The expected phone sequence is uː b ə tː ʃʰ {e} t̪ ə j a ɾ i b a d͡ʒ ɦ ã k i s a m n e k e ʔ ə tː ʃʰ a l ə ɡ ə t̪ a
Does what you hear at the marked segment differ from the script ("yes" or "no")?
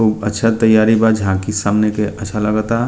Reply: yes